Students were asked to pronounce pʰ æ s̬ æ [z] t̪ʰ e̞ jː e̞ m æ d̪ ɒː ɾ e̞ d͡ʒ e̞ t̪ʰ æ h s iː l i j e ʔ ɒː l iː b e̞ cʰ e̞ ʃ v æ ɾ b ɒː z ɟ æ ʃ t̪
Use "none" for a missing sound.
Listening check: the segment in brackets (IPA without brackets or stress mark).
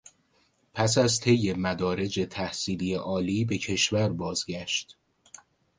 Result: z